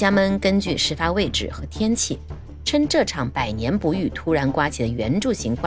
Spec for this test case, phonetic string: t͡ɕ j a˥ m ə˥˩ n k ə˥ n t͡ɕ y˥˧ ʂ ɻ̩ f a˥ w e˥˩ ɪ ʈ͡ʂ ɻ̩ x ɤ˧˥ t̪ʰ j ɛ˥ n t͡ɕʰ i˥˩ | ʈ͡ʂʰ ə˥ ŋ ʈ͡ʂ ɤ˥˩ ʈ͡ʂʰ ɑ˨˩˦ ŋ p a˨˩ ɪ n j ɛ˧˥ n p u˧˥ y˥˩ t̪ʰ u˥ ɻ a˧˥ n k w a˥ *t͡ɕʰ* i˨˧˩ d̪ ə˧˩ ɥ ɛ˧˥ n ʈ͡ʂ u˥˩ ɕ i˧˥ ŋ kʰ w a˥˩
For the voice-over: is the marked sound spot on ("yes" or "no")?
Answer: yes